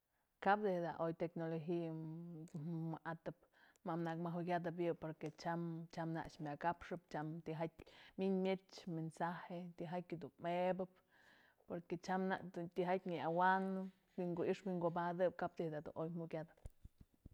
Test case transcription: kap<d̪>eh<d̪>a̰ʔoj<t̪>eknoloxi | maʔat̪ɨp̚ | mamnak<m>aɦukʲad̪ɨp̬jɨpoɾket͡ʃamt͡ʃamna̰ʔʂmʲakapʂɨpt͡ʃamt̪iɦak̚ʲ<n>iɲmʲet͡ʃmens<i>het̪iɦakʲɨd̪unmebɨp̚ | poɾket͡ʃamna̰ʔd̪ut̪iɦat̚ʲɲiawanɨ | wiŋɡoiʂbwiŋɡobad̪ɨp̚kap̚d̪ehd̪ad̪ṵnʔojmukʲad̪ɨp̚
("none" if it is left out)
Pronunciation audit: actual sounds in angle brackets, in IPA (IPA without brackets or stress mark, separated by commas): d̪, d̪, t̪, m, m, a